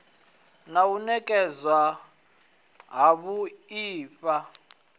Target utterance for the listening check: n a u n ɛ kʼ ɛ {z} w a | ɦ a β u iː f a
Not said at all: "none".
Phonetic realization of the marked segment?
z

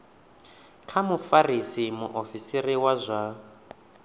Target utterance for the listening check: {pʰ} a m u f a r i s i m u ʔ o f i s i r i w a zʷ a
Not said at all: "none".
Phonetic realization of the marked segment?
kʰ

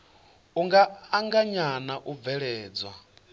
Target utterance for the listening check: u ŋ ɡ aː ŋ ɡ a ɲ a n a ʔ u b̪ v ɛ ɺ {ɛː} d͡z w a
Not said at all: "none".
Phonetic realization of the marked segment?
ɛː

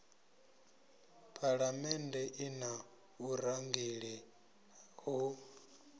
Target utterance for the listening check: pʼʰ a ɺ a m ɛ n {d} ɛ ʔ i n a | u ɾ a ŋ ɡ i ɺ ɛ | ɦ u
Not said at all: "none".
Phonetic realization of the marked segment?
d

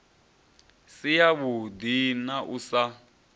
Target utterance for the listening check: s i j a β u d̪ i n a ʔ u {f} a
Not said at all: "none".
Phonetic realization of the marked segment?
s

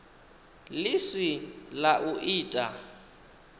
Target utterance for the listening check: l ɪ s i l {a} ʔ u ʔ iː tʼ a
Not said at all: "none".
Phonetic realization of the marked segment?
a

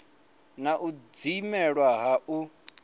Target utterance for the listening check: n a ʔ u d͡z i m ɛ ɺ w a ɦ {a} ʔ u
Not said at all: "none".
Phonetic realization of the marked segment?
a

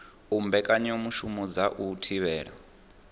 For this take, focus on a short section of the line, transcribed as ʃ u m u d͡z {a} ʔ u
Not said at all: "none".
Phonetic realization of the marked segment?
a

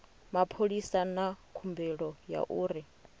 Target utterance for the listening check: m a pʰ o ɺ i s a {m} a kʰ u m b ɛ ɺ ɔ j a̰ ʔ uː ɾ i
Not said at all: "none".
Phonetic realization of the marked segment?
n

